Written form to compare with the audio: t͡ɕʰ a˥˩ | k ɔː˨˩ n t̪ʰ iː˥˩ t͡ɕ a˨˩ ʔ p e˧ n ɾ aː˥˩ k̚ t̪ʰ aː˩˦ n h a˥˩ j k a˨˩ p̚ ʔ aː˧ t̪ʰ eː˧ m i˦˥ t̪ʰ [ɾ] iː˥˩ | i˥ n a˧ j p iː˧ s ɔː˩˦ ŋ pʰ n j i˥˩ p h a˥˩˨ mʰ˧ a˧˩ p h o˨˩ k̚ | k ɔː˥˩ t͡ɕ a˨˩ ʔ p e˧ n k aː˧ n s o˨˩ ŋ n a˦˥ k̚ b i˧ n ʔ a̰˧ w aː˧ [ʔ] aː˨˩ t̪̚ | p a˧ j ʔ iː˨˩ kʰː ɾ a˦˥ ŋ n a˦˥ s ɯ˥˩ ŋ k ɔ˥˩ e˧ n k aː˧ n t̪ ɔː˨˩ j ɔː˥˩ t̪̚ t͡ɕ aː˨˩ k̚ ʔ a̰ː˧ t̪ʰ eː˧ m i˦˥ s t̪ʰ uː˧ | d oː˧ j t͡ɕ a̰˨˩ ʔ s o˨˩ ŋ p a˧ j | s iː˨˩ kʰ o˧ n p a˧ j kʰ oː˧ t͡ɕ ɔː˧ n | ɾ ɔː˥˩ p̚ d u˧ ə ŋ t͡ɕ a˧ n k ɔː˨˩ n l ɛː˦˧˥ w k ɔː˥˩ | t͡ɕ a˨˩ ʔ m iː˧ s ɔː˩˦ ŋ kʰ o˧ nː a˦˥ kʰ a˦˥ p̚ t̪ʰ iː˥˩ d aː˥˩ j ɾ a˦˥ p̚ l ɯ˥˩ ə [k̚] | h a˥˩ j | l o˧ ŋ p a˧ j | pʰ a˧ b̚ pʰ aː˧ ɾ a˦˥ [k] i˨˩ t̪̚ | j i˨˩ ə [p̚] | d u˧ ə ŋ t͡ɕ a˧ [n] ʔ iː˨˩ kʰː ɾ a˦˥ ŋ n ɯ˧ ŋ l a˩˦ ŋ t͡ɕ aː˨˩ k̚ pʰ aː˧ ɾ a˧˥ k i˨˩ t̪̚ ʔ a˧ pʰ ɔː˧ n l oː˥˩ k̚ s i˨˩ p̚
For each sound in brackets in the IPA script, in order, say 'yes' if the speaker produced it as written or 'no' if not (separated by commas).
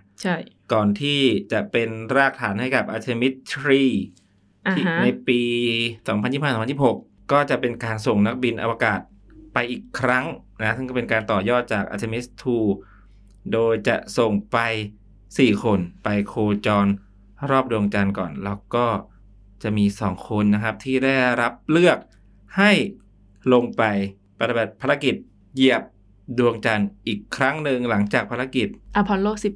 yes, no, yes, yes, yes, yes